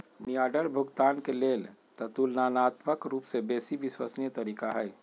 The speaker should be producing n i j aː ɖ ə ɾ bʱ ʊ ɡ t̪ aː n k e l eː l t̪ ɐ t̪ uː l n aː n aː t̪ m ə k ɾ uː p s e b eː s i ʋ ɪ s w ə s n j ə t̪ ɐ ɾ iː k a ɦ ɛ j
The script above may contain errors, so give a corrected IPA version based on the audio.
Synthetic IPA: n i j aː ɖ ə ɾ bʱ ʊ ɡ t̪ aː n k e l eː l t̪ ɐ t̪ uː l n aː n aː t̪ m ə k ɾ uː p s e b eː s i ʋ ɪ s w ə s n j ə t̪ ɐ ɾ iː k a ɦ ɛ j

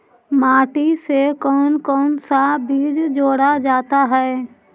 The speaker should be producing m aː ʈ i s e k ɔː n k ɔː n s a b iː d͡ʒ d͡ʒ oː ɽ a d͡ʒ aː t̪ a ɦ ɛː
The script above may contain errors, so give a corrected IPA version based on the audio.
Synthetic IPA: m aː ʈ i s e k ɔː n k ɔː n s a b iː d͡ʒ d͡ʒ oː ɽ a d͡ʒ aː t̪ a ɦ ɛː

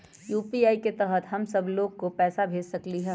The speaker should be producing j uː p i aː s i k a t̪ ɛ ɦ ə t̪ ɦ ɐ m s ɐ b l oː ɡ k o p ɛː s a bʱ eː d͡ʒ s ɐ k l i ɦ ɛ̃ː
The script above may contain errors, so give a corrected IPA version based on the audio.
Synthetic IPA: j uː p i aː i k e t̪ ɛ ɦ ə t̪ ɦ ɐ m s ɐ b l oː ɡ k o p ɛː s a bʱ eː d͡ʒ s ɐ k l i ɦ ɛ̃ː

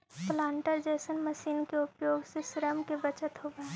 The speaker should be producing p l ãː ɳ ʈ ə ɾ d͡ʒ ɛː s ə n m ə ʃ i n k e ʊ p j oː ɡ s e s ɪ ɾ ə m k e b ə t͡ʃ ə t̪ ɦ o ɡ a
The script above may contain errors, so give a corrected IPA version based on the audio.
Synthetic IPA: p l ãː ɳ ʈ ə ɾ d͡ʒ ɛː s ə n m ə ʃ iː n k e ʊ p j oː ɡ s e s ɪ ɾ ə m k e b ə t͡ʃ ə t̪ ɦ o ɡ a

